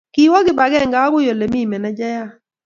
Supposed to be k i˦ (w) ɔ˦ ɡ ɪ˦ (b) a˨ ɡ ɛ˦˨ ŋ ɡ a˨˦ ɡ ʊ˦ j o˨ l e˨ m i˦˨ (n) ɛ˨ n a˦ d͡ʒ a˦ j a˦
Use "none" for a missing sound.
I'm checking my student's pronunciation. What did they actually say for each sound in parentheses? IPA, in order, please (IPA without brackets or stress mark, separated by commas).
w, b, m